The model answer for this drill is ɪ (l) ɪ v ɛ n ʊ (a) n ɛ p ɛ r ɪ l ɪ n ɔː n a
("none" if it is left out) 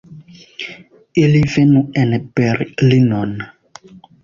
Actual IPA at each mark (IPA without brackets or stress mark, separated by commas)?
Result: l, ɛ